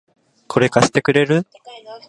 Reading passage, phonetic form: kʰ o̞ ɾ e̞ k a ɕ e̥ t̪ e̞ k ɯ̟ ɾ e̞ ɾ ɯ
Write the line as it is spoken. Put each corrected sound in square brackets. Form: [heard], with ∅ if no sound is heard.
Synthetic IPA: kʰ o̞ ɾ e̞ k a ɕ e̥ t̪ e̞ k ɯ̟ ɾ e̞ ɾ ɯ